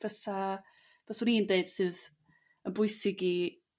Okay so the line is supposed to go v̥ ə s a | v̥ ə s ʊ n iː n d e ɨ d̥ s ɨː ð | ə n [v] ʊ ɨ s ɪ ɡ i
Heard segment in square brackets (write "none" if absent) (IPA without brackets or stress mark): b